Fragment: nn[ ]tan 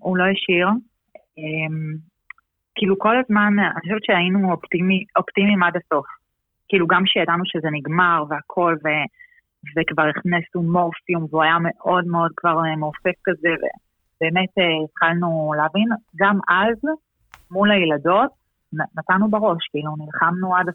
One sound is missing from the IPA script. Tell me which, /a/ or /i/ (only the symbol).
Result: a